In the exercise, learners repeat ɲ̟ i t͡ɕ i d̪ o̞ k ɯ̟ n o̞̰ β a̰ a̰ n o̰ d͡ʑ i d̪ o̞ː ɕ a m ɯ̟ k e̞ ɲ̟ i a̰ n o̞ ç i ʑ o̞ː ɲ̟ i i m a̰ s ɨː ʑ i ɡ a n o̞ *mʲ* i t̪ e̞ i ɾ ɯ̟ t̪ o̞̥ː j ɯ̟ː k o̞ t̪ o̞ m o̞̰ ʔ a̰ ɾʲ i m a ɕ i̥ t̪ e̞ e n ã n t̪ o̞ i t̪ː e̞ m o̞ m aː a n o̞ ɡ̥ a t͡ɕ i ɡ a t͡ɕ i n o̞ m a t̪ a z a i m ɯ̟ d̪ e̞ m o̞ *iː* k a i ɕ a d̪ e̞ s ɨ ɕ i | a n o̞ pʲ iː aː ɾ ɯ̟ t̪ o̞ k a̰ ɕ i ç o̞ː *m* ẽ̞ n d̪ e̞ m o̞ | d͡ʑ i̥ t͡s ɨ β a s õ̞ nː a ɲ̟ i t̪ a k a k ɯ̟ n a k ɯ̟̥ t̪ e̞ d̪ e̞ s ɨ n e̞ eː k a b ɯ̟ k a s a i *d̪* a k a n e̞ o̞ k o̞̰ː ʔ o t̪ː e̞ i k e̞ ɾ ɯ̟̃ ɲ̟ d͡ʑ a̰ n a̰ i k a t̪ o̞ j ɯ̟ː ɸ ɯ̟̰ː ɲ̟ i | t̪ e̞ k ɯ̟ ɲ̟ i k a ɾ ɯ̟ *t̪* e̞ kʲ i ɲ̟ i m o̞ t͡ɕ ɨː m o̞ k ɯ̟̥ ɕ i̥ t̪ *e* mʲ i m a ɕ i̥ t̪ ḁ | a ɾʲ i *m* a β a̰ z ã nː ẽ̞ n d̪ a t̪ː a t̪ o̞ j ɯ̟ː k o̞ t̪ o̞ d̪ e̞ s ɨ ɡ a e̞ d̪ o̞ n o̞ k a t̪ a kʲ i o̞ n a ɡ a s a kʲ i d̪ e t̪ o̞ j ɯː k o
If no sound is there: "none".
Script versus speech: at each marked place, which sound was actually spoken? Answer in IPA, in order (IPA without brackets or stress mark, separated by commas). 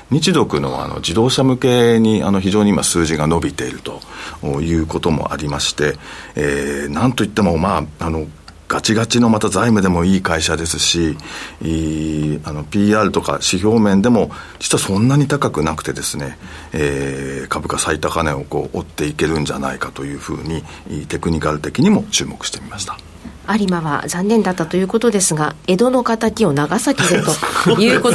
bʲ, iː, m, t̪, t̪, e, m